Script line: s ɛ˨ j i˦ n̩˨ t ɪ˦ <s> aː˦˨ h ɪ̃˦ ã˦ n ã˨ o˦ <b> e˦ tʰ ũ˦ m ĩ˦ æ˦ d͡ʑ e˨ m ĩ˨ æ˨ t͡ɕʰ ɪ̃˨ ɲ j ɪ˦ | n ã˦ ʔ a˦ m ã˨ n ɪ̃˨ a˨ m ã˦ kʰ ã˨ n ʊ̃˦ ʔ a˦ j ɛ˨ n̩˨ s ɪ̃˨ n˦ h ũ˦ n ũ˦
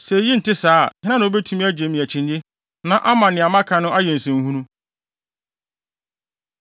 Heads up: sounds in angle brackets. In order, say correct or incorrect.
correct, correct

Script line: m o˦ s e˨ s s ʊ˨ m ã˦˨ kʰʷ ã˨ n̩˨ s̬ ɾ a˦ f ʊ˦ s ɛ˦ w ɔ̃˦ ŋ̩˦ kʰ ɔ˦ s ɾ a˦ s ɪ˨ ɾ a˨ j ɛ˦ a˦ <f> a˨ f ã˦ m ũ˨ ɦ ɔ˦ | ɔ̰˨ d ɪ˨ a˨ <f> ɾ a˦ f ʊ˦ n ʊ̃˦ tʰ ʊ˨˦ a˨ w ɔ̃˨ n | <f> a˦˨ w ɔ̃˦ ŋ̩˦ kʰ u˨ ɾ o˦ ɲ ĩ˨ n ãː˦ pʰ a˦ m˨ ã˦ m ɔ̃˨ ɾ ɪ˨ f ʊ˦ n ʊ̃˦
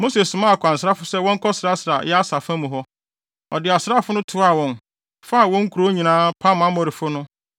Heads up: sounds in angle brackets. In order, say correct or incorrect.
incorrect, incorrect, correct

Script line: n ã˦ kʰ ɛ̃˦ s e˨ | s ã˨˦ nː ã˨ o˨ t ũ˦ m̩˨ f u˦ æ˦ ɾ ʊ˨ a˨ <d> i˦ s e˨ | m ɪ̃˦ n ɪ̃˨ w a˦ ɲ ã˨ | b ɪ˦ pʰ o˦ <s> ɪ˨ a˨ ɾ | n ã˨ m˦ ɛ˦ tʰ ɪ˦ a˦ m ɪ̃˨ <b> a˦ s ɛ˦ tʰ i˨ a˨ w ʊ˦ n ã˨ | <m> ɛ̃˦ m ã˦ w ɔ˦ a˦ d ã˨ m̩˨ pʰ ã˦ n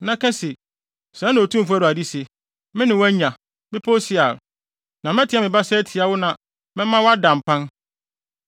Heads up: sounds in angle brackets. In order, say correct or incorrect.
correct, correct, correct, correct

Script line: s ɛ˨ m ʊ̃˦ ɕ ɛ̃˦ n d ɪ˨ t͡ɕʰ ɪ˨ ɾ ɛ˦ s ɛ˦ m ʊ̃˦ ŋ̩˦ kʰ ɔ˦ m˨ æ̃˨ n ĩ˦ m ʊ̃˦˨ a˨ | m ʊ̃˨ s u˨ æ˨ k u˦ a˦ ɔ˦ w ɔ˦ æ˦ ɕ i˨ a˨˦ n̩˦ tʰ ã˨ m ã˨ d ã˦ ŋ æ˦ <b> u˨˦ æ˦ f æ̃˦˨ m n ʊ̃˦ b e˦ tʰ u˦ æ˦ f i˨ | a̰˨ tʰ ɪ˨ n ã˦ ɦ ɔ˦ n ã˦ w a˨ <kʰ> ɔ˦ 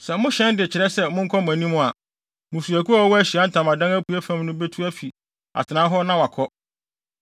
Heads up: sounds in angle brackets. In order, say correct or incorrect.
incorrect, correct

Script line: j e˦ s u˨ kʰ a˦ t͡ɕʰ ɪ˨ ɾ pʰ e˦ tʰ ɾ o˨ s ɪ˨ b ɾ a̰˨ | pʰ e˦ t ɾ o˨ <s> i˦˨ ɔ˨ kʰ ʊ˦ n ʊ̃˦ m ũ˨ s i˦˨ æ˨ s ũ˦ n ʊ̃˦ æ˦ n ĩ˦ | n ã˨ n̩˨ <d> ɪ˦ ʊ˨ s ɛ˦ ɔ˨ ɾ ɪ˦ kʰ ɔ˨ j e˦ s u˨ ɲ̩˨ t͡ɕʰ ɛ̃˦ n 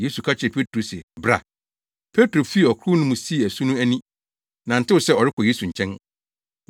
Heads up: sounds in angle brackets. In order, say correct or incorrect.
incorrect, incorrect

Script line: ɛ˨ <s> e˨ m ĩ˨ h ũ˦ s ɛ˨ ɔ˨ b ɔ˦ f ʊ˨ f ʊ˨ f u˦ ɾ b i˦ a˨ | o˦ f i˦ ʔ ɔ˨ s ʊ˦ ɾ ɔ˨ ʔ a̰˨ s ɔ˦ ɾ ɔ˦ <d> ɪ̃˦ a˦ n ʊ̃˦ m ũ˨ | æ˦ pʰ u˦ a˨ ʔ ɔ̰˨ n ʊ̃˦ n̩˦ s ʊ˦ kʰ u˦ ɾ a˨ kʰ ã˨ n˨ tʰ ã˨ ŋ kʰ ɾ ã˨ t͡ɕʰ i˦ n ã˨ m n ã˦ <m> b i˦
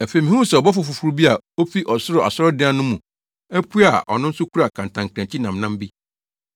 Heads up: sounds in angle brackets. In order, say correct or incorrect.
incorrect, correct, correct

